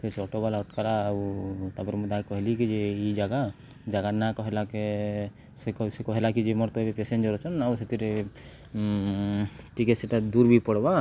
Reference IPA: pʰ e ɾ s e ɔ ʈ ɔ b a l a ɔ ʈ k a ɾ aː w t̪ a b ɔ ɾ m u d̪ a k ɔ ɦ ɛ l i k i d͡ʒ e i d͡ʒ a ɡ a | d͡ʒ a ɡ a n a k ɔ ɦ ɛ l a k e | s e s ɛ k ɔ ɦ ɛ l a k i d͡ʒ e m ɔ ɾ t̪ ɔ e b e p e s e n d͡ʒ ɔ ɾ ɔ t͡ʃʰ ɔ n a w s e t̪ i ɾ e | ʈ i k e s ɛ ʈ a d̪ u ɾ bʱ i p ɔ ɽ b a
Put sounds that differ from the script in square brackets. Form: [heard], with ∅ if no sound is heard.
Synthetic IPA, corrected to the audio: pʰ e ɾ s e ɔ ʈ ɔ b a l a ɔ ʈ k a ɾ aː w t̪ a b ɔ ɾ m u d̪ a k ɔ ɦ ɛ l i k i d͡ʒ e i d͡ʒ a ɡ a | d͡ʒ a ɡ a n a k ɔ ɦ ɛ l a k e | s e s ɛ k ɔ ɦ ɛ l a k i d͡ʒ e m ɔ ɾ t̪ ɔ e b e p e s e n d͡ʒ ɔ ɾ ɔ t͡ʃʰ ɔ n a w s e t̪ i ɾ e | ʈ i k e s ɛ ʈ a d̪ u ɾ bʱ i p ɔ ɽ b a